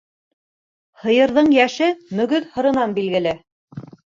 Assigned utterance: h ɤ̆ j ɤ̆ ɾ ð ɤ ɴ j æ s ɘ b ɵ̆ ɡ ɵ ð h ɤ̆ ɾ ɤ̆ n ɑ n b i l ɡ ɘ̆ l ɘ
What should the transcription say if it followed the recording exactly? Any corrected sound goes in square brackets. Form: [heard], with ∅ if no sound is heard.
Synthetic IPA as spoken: h ɤ̆ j ɤ̆ ɾ ð ɤ ɴ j æ [ʃ] ɘ [m] ɵ̆ ɡ ɵ ð h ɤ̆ ɾ ɤ̆ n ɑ n b i l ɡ ɘ̆ l ɘ